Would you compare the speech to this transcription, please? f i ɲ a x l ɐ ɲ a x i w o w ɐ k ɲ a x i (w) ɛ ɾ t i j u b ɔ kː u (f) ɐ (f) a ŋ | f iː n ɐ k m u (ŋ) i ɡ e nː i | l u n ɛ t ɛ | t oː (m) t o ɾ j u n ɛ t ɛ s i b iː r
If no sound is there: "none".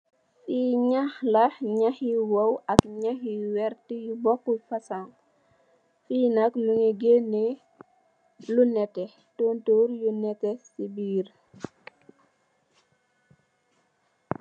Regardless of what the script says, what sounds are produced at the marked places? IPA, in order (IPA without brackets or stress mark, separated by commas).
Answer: w, f, s, ŋ, n